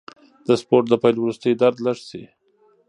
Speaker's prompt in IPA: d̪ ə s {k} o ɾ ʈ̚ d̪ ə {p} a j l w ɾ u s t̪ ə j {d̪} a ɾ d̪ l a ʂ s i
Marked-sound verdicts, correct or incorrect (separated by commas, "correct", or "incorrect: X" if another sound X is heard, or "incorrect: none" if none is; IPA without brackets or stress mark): incorrect: p, correct, correct